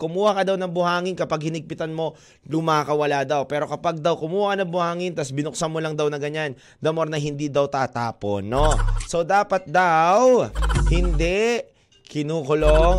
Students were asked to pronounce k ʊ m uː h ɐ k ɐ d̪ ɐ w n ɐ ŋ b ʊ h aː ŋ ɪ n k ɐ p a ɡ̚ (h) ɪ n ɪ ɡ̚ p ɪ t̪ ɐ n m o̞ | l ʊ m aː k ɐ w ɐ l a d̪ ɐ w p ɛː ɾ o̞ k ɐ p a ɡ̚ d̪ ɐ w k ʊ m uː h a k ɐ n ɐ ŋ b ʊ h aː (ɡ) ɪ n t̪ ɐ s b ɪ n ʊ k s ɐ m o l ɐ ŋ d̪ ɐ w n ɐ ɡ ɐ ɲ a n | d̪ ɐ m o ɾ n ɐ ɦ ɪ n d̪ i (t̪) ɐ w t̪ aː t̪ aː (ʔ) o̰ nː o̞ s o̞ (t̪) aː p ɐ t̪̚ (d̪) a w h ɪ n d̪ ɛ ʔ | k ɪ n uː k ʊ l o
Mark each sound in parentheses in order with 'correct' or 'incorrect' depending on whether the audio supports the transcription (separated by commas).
correct, incorrect, incorrect, incorrect, incorrect, correct